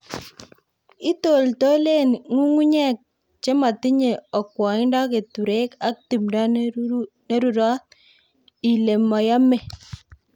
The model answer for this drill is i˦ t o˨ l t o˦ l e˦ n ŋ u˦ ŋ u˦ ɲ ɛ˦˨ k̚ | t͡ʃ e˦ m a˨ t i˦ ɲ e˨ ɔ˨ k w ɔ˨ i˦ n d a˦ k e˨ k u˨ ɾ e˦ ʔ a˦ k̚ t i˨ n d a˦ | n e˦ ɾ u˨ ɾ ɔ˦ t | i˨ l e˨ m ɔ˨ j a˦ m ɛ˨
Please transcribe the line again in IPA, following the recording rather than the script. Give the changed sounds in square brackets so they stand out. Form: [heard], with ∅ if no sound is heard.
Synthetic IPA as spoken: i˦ t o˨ l t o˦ l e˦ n ŋ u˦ ŋ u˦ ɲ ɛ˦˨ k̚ | t͡ʃ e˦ m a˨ t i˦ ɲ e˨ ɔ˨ k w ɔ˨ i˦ n d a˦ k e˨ [t] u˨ ɾ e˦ [k] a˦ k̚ t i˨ [m] d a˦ | n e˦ ɾ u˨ ɾ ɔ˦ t | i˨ l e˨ m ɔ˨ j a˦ m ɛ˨